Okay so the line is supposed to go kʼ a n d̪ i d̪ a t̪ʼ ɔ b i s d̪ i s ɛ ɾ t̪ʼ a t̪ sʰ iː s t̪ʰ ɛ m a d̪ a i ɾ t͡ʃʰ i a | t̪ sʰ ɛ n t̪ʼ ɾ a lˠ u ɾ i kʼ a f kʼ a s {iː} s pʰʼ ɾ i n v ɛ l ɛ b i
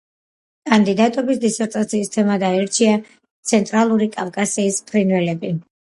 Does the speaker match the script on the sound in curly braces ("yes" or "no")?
yes